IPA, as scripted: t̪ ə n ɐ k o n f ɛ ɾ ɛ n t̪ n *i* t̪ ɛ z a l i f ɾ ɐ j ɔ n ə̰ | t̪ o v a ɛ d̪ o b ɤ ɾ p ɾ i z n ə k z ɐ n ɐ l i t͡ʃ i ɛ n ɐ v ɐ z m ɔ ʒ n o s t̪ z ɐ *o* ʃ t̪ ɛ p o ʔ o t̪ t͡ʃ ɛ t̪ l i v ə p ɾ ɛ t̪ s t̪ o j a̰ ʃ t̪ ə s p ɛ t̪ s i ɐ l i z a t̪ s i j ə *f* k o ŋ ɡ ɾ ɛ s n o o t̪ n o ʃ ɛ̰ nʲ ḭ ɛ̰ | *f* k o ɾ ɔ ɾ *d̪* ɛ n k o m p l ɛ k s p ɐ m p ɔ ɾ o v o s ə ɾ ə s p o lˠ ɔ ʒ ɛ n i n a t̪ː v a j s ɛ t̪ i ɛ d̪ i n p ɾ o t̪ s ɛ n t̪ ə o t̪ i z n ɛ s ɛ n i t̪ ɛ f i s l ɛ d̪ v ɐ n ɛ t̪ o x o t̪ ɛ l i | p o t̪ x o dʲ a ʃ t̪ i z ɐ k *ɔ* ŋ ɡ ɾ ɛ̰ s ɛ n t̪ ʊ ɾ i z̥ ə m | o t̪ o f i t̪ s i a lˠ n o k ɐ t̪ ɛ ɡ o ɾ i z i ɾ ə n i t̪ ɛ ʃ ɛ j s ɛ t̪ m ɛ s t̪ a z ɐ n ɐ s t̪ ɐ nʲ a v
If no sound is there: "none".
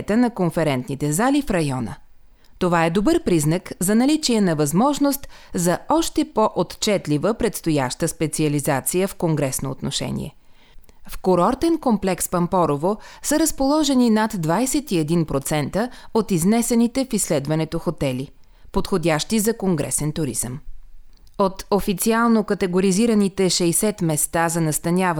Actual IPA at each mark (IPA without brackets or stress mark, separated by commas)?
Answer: i, ɔ, f, f, t̪, o